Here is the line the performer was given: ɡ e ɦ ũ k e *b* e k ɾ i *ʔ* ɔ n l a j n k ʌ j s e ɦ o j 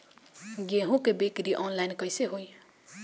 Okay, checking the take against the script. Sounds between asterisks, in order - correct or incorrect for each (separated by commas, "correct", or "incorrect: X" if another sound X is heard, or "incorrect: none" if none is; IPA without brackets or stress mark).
correct, correct